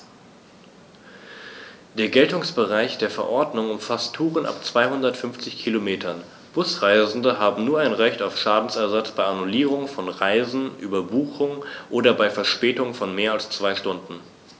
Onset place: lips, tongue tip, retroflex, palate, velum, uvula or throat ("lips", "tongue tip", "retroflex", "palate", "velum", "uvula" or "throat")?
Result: tongue tip